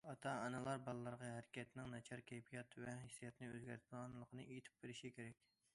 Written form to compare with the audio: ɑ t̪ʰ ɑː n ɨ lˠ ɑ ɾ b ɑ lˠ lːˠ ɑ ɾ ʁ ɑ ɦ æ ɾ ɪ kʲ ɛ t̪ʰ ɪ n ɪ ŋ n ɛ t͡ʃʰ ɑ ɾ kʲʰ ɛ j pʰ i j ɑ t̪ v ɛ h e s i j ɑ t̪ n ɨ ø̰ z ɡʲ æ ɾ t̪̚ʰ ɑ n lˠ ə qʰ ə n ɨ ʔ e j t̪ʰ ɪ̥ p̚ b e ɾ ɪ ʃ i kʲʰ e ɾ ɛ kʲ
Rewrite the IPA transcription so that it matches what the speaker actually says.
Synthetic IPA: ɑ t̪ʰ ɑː n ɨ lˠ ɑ ɾ b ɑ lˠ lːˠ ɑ ɾ ʁ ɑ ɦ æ ɾ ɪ kʲ ɛ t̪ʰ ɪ n ɪ ŋ n ɛ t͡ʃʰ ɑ ɾ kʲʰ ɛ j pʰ i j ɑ t̪ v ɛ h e s i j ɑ t̪ n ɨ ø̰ z ɡʲ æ ɾ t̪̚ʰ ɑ n lˠ ə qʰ ə n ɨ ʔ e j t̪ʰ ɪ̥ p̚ b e ɾ ɪ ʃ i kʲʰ e ɾ ɛ kʲ

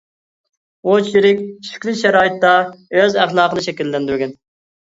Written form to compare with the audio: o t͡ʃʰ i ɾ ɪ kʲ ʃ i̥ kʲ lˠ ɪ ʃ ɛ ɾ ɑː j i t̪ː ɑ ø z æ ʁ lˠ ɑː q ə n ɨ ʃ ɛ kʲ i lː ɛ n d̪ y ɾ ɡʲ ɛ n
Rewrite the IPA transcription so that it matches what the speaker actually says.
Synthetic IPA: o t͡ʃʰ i ɾ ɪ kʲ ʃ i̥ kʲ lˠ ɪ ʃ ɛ ɾ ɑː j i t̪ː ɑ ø z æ χ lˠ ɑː q ə n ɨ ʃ ɛ kʲ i lː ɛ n d̪ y ɾ ɡʲ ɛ n

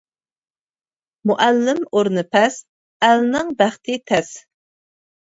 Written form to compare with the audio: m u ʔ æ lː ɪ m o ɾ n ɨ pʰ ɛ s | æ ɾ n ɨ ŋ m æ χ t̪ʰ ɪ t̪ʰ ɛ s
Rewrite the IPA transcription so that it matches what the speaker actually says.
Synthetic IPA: m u ʔ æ lː ɪ m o ɾ n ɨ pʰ ɛ s | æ l n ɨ ŋ b æ χ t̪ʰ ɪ t̪ʰ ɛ s

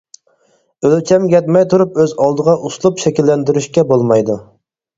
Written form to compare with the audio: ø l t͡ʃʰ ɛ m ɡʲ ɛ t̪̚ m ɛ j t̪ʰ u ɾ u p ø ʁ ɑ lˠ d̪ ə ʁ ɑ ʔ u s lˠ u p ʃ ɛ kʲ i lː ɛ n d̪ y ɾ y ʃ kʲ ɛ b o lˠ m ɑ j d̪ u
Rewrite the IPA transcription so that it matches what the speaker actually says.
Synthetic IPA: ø l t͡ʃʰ ɛ m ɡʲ ɛ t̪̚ m ɛ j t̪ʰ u ɾ u p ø z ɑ lˠ d̪ ə ʁ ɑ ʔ u s lˠ u p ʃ ɛ kʲ i lː ɛ n d̪ y ɾ y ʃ kʲ ɛ b o lˠ m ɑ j d̪ u

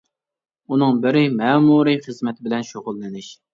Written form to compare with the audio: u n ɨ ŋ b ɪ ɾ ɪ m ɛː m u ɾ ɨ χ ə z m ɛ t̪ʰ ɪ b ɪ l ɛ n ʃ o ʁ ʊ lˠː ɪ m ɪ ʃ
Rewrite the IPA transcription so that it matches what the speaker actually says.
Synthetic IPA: u n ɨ ŋ b ɪ ɾ ɪ m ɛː m u ɾ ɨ χ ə z m ɛ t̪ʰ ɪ b ɪ l ɛ n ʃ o ʁ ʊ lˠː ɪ n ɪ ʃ

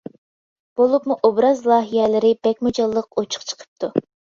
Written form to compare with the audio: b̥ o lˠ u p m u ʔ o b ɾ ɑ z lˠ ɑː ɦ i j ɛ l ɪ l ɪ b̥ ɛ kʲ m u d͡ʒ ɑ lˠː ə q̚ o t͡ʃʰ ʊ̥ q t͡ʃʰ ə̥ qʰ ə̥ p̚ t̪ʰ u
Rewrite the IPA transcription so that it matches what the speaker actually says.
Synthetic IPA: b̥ o lˠ u p m u ʔ o b ɾ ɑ z lˠ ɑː ɦ i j ɛ l ɪ ɾ ɪ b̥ ɛ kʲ m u d͡ʒ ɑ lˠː ə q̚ o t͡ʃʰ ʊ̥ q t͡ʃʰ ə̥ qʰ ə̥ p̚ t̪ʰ u

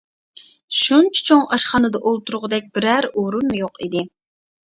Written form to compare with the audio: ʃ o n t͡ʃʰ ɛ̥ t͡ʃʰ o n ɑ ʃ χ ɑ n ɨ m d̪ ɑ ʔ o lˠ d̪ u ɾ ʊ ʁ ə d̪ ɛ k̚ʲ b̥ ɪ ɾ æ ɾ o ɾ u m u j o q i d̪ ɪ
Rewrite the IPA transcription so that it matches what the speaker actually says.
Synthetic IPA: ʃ u n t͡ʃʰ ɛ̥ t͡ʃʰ o ŋ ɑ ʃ χ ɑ n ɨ d̪ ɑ ʔ o lˠ t̪ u ɾ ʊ ʁ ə d̪ ɛ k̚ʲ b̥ ɪ ɾ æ ɾ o ɾ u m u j o q i d̪ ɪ

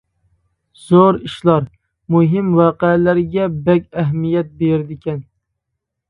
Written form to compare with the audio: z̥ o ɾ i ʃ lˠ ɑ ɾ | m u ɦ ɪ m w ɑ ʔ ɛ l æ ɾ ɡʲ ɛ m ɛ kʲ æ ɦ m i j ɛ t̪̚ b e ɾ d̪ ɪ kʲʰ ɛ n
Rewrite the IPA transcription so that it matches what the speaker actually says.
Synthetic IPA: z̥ o ɾ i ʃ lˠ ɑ ɾ | m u ɦ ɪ m w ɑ q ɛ l æ ɾ ɡʲ ɛ b ɛ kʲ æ ɦ m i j ɛ t̪̚ b e ɾ d̪ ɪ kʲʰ ɛ n

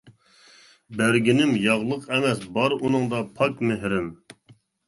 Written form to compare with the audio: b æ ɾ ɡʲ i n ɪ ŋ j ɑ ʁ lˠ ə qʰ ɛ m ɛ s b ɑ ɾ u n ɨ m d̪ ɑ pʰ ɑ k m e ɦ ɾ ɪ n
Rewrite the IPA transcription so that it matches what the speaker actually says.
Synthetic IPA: b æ ɾ ɡʲ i n ɪ m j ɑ ʁ lˠ ə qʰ ɛ m ɛ s b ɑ ɾ u n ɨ ŋ d̪ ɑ pʰ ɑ k m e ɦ ɾ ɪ m

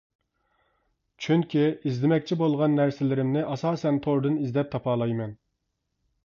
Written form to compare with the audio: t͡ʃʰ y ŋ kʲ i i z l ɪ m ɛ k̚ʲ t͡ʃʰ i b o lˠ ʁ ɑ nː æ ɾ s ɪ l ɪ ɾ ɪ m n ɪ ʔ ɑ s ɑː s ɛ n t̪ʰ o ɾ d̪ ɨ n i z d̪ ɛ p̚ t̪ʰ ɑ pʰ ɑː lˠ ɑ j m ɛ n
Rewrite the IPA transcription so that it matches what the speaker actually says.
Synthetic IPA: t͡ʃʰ y ŋ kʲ i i z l ɪ m ɛ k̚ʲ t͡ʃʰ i b o lˠ ʁ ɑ nː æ ɾ s ɪ l ɪ ɾ ɪ m n ɪ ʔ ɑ s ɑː s ɛ n t̪ʰ o ɾ d̪ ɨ n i z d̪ ɛ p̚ t̪ʰ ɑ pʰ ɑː lˠ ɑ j m ɛ n

